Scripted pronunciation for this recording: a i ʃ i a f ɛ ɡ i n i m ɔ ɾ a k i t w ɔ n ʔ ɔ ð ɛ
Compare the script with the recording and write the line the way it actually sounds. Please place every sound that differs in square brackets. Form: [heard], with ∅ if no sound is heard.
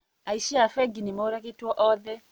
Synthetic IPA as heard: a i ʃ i a f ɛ ɡ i n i m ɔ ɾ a k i t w ɔ [∅] ʔ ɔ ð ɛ

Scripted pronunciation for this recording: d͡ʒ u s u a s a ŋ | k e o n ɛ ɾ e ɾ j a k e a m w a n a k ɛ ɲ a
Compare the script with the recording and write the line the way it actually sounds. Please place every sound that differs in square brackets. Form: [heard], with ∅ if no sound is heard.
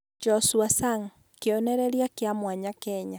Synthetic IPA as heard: d͡ʒ [ɔ] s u a s a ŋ | k e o n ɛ ɾ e ɾ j a k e a m w a [ɲ] a k ɛ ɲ a

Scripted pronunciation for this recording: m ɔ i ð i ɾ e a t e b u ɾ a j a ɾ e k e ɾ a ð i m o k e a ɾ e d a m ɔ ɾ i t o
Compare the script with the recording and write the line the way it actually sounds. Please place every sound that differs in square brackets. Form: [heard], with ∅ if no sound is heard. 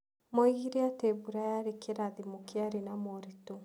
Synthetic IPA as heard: m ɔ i [ɣ] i ɾ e a t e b u ɾ a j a ɾ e k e ɾ a ð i m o k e a ɾ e [n] a m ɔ ɾ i t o

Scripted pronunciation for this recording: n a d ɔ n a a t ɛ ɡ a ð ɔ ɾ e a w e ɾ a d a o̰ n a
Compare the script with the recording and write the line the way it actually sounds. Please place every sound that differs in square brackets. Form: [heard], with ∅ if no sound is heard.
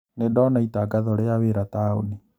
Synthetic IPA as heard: n [e] d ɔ n a [i] t [a] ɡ a ð ɔ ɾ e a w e ɾ a [t] a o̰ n [i]

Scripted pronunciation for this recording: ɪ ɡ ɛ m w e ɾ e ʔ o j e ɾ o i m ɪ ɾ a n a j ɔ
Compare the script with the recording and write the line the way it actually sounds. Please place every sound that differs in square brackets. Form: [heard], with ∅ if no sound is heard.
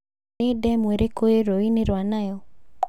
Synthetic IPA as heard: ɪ [d] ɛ m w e ɾ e [k] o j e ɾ o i [n] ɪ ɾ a n a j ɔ

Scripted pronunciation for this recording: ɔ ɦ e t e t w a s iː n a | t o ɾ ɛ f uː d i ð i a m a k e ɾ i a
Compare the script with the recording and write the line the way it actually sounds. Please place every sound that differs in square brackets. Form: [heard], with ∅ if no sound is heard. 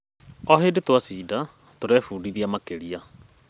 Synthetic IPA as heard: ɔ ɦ e [d] e t w a s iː [d] a | t o ɾ ɛ f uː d i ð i a m a k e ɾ i a

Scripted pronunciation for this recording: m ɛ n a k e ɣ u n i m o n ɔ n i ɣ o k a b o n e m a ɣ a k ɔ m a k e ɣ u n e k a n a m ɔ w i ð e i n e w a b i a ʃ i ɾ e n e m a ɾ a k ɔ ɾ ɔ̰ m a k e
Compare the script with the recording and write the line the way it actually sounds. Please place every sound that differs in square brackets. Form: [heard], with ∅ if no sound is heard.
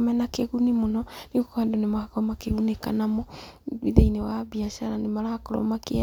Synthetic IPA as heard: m ɛ n a k e ɣ u n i m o n ɔ n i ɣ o k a [d] o n e m a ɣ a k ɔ m a k e ɣ u n e k a n a m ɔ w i ð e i n e w a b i a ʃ [a] ɾ [a] n e m a ɾ a k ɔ ɾ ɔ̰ m a k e

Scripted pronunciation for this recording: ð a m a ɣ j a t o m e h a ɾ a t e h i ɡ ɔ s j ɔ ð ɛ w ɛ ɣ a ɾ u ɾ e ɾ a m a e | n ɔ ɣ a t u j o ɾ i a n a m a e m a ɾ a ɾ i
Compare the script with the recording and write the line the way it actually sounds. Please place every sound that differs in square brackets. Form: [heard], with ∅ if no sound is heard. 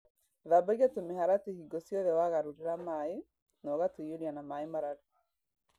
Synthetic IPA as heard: ð a [b] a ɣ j a t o m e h a ɾ a t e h i ɡ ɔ s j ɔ ð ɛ w [a] ɣ a ɾ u ɾ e ɾ a m a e | n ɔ ɣ a t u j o ɾ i a n a m a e m a ɾ a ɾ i

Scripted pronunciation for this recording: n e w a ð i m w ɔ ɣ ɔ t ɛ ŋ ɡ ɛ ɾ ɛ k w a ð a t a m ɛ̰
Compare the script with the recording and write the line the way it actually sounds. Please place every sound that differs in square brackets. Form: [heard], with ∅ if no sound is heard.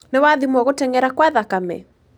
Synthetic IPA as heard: n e w a ð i m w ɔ ɣ [o] t ɛ ŋ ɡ ɛ ɾ [a] k w a ð a [k] a m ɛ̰

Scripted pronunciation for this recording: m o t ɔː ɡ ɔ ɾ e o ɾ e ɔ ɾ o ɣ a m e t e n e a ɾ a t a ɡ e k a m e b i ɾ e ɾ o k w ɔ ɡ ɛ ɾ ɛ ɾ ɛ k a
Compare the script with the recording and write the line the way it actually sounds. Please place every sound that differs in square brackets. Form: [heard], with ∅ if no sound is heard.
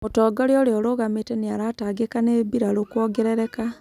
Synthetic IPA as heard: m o t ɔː ɡ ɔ ɾ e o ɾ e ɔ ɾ o ɣ a m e t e n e a ɾ a t a ɡ e k a [n] e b i ɾ [a] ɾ o k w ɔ ɡ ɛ ɾ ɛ ɾ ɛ k a

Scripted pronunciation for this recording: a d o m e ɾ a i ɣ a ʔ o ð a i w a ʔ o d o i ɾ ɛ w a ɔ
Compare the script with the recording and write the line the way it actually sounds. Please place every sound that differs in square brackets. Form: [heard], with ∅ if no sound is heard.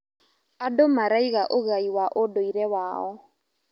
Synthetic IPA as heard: a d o m [a] ɾ a i ɣ a ʔ o [ɣ] a i w a ʔ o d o i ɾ ɛ w a ɔ

